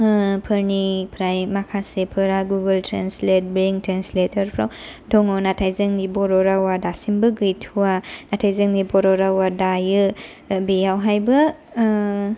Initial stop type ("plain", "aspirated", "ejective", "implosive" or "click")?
aspirated